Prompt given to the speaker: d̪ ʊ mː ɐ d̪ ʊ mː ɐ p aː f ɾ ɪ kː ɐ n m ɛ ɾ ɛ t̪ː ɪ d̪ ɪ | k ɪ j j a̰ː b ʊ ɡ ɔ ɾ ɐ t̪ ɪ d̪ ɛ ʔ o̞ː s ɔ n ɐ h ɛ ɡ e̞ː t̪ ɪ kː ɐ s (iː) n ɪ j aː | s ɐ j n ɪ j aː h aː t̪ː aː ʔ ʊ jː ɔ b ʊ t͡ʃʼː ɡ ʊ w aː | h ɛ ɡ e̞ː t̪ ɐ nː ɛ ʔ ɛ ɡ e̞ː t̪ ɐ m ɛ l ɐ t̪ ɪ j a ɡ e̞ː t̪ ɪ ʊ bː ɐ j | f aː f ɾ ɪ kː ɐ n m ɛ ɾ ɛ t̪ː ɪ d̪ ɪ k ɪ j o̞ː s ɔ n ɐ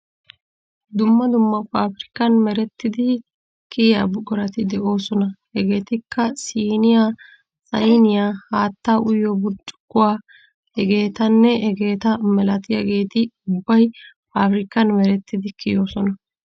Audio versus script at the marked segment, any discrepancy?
no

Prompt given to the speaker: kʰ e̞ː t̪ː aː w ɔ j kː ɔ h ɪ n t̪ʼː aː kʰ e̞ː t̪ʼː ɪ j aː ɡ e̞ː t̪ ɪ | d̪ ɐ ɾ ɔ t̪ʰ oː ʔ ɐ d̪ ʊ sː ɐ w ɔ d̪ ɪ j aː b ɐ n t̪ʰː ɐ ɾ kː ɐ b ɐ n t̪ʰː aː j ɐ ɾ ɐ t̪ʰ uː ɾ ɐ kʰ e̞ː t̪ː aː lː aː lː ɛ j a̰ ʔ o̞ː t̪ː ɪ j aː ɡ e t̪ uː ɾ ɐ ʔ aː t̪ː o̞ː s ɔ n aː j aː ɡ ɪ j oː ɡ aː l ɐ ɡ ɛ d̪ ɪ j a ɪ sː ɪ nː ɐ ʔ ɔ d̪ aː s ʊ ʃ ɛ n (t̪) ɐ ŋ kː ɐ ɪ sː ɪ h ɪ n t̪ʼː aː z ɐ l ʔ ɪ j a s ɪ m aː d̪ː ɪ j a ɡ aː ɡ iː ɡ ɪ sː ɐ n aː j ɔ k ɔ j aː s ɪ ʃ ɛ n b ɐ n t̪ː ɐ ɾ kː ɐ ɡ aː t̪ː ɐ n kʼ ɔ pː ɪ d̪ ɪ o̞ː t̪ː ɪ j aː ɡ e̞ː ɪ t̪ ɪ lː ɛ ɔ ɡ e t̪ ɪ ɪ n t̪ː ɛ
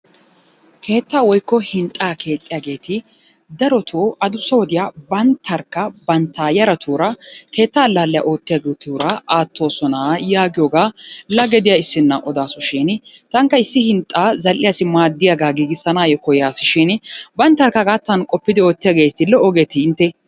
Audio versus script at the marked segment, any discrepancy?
no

